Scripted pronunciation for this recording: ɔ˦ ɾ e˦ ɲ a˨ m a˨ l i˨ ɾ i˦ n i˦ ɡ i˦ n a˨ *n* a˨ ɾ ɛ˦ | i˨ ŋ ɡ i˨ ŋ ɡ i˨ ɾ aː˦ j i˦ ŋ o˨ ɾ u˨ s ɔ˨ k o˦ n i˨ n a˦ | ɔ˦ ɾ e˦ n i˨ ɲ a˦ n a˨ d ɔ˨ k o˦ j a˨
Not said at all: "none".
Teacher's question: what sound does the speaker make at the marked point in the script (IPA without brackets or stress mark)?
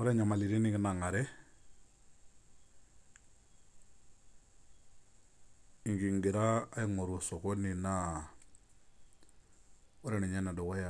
ŋ